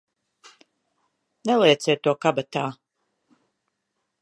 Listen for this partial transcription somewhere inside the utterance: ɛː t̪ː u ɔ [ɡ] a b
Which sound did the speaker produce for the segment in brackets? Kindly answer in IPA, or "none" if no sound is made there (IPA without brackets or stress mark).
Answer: k